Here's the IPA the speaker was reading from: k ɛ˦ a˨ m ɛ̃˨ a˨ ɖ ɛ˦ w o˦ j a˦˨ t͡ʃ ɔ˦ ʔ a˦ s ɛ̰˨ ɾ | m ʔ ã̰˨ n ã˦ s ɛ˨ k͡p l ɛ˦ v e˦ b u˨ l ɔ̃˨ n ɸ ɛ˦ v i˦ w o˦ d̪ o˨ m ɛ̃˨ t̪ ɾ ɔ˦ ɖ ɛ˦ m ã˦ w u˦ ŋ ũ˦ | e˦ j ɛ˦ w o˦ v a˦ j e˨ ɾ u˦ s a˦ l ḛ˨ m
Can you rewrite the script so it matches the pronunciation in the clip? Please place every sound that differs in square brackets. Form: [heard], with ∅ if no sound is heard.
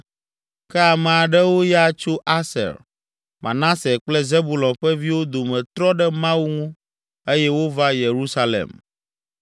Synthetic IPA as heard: k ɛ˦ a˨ m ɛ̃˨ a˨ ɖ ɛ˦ w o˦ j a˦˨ t͡ʃ [o˦] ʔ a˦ s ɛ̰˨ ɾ | m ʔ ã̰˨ n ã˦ s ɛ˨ k͡p l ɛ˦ [z] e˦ b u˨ l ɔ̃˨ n ɸ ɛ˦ v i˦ w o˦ d̪ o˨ m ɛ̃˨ t̪ ɾ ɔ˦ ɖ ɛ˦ m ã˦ w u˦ ŋ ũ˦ | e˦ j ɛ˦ w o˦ v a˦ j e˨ ɾ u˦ s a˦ l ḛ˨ m

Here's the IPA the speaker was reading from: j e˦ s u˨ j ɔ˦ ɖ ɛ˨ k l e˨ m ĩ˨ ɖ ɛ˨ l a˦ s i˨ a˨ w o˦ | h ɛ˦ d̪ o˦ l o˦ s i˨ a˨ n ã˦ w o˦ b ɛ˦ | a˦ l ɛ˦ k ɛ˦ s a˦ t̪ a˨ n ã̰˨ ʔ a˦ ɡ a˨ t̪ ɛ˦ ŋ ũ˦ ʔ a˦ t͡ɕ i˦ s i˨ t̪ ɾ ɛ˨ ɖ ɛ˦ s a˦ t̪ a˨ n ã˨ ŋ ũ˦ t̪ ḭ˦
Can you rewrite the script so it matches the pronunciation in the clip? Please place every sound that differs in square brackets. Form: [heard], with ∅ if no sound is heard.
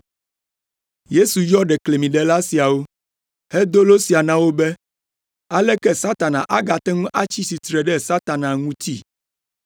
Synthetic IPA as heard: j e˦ s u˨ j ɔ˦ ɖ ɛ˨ k l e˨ m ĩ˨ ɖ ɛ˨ l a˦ s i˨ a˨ w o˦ | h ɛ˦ d̪ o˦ l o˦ s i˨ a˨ n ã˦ w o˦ b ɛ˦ | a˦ l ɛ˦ k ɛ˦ s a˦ t̪ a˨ n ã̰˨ ʔ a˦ ɡ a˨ t̪ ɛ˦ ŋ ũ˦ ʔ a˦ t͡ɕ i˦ s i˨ t̪ ɾ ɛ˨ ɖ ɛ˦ s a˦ t̪ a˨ n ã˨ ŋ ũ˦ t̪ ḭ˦

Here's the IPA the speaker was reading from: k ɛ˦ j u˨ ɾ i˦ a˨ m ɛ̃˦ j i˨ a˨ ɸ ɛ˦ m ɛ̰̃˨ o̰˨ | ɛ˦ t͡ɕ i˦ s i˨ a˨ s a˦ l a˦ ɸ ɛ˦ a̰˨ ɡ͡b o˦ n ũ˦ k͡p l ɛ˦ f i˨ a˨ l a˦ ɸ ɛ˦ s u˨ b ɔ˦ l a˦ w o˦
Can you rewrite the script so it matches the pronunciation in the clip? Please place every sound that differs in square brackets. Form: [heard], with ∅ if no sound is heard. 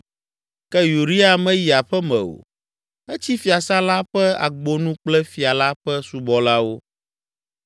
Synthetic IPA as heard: k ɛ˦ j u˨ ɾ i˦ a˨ m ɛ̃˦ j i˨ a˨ ɸ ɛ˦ m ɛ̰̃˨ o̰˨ | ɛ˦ t͡ɕ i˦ [f] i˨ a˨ s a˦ l a˦ ɸ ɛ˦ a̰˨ ɡ͡b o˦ n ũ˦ k͡p l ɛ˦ f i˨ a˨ l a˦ ɸ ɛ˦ s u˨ b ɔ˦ l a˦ w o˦

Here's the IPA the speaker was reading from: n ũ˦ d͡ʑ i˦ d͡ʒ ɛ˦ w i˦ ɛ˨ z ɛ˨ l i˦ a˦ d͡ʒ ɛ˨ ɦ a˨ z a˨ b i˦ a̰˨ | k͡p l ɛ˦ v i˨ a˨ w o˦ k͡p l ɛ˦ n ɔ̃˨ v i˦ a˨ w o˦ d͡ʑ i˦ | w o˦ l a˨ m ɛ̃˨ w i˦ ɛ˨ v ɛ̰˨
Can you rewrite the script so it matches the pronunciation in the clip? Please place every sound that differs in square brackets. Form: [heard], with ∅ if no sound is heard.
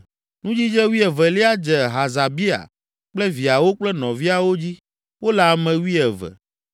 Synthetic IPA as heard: n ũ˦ d͡ʑ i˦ d͡ʒ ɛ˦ w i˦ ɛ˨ [v] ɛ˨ l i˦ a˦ d͡ʒ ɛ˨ ɦ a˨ z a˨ b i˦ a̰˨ | k͡p l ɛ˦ v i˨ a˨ w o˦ k͡p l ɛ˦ n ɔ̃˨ v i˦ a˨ w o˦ d͡ʑ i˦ | w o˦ l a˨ m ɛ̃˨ w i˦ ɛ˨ v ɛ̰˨

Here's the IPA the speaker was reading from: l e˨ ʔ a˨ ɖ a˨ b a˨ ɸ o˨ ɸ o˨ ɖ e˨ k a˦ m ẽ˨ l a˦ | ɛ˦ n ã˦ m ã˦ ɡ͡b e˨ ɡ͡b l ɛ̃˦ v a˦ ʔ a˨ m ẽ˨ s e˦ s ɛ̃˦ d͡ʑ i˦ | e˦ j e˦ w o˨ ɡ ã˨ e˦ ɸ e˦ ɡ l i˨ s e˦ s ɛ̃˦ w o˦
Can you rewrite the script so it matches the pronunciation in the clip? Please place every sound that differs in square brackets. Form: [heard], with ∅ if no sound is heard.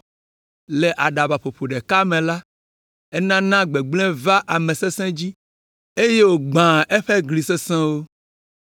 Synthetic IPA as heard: l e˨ ʔ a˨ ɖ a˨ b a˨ ɸ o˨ ɸ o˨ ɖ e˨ k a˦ m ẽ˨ l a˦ | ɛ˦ n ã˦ [n] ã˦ ɡ͡b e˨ ɡ͡b l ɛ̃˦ v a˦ ʔ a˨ m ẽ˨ s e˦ s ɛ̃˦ d͡ʑ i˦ | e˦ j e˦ w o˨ [ɡ͡b] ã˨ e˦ ɸ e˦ ɡ l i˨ s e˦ s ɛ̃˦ w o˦

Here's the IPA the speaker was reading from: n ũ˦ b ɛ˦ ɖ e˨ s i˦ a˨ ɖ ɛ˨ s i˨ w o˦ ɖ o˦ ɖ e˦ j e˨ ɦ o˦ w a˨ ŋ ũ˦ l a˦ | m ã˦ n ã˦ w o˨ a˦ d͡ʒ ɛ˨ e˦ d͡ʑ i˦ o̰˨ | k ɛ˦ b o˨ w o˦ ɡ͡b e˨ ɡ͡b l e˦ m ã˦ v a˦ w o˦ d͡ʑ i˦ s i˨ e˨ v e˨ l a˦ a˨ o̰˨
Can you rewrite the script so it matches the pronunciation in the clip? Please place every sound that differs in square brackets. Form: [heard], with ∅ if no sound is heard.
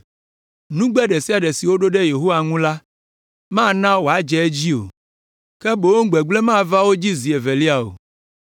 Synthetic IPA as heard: n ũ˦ [ɡ͡b] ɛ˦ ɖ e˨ s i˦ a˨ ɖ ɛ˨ s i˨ w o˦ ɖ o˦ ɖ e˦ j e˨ ɦ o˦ w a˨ ŋ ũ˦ l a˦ | m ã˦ n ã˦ w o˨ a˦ d͡ʒ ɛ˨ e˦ d͡ʑ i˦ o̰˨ | k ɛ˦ b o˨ w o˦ ɡ͡b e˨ ɡ͡b l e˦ m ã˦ v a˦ w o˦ d͡ʑ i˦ [z] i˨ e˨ v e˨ l [i˦] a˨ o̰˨

